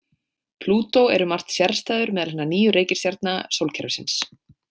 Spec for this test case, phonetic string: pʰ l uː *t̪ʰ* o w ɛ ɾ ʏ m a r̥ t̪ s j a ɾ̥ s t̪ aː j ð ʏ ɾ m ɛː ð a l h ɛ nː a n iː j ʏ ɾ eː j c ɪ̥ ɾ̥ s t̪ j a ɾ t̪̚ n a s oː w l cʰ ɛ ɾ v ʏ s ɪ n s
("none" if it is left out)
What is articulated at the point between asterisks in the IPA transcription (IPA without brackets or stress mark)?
t̪